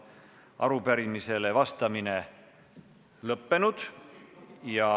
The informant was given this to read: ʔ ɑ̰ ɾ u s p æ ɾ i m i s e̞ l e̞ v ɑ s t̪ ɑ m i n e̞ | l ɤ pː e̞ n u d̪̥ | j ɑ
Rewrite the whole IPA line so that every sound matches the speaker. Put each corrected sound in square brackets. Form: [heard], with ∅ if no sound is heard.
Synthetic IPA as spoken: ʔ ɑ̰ ɾ u [∅] p æ ɾ i m i s e̞ l e̞ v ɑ s t̪ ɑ m i n e̞ | l ɤ pː e̞ n u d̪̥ | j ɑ